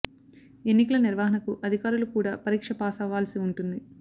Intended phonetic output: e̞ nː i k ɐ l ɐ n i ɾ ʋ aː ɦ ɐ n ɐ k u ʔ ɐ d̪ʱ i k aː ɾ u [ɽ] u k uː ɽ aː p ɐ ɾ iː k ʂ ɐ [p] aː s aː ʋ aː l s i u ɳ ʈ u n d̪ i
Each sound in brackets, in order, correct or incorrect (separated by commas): incorrect, correct